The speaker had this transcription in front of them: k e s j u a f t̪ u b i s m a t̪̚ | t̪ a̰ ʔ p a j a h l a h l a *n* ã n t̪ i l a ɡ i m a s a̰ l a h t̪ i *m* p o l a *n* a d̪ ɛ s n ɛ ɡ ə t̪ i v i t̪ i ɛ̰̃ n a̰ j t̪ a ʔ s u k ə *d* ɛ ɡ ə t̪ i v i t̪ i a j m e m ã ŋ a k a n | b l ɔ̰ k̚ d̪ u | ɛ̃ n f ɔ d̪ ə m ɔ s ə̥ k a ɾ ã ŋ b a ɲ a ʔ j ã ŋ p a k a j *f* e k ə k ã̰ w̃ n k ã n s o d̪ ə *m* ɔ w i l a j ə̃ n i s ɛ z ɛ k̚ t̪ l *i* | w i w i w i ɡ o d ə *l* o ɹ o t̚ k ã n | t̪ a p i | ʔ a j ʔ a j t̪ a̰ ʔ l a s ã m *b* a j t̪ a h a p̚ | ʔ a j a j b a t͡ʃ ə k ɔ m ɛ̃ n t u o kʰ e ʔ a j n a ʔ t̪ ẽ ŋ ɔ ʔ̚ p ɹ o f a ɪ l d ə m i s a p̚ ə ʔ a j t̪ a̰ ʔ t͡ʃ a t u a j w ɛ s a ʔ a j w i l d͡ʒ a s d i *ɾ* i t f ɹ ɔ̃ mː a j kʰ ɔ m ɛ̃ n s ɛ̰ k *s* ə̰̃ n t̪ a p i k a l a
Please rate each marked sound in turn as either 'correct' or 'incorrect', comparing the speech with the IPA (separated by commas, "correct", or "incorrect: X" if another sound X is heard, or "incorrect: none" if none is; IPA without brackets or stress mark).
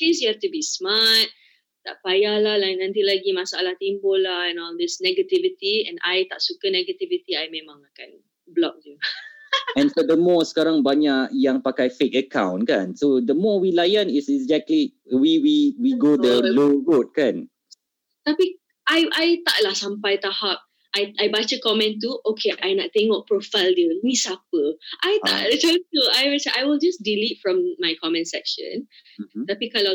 correct, correct, correct, incorrect: n, correct, correct, correct, correct, incorrect: p, incorrect: l, incorrect: ʃ